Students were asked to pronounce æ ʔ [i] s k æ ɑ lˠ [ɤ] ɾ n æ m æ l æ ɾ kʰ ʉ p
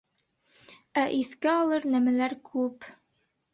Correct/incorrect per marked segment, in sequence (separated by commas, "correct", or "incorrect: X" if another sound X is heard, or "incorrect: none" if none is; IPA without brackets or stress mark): correct, correct